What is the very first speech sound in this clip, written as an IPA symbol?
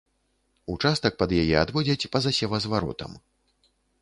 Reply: u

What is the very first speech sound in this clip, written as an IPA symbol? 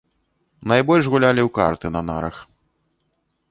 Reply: n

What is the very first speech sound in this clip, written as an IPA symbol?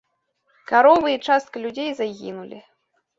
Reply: k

